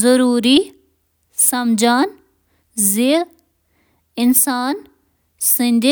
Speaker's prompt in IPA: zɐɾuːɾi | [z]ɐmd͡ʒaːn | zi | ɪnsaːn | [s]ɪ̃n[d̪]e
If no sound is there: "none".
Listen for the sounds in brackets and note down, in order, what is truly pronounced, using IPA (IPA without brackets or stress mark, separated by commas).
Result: s, s, d̪